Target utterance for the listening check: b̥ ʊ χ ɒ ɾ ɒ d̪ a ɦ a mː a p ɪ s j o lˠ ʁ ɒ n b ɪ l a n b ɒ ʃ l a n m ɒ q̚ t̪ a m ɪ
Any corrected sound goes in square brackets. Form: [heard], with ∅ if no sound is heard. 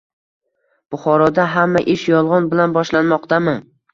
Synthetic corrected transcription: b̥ ʊ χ ɒ ɾ ɒ d̪ a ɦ a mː a [ʔ] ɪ [ʃ] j [ɒ] lˠ ʁ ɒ n b ɪ l a n b ɒ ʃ l a n m ɒ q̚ t̪ a m ɪ